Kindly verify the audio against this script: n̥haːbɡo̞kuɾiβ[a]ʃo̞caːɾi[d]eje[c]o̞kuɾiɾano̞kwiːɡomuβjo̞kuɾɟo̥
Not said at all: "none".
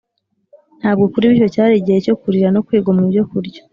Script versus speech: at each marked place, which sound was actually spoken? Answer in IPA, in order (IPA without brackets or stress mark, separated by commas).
i, ɟ, c